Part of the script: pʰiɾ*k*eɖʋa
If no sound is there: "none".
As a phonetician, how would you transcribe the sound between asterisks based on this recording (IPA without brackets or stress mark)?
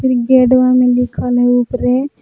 ɡ